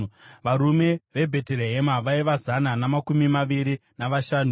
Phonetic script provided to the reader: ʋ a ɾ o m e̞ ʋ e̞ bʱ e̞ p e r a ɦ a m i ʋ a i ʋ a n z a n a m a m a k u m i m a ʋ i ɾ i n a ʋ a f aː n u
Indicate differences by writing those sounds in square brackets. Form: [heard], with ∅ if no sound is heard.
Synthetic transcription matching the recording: ʋ a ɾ [u] m e̞ ʋ e̞ bʱ e̞ [t] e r [e] ɦ [e] m [a] ʋ a i ʋ a [∅] z a n a [n] a m a k u m i m a ʋ i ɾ i n a ʋ a [ʃ] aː n u